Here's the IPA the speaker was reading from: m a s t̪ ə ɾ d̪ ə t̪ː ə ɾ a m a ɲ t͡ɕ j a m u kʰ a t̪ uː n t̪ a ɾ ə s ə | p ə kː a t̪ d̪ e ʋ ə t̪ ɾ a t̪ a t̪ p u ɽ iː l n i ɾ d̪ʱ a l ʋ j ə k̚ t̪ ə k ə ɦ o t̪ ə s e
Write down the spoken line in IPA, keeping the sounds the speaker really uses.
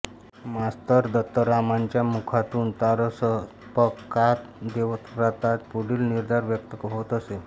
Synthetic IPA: m a s t̪ ə ɾ d̪ ə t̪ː ə ɾ a m a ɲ t͡ɕ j a m u kʰ a t̪ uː n t̪ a ɾ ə s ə | p ə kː a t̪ d̪ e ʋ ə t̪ ɾ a t̪ a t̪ p u ɽ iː l n i ɾ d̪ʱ a ɾ ʋ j ə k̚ t̪ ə k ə ɦ o t̪ ə s e